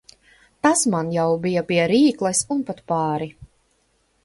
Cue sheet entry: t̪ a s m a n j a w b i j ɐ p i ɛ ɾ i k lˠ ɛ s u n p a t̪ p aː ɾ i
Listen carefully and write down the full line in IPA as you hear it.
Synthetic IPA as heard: t̪ a s m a n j a w b i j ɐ p i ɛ ɾ iː k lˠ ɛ s u n p a t̪ p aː ɾ i